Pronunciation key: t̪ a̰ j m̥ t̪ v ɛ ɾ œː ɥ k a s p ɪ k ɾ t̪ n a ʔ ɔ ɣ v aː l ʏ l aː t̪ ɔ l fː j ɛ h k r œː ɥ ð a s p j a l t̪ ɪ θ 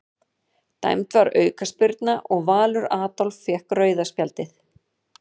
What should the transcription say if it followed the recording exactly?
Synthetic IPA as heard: t̪ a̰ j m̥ t̪ v a ɾ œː ɥ k a s p ɪ ɾ t̪ n a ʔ ɔ ɣ v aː l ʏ ɾ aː t̪ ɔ l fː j ɛ h k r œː ɥ ð a s p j a l t̪ ɪ θ